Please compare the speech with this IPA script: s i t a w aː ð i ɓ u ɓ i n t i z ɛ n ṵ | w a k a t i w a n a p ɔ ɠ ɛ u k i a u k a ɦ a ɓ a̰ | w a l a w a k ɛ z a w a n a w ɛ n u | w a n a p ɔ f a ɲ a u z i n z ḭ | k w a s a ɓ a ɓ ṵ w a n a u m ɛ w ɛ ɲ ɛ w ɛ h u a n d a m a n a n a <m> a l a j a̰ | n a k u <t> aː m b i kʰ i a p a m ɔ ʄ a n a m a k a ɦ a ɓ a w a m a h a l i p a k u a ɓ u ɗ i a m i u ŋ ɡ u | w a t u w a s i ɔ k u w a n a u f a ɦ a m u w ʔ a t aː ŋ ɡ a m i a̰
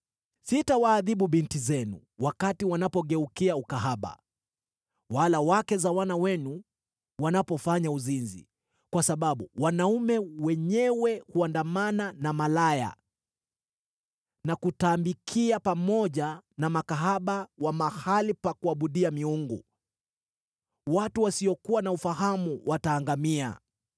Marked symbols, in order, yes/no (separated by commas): yes, yes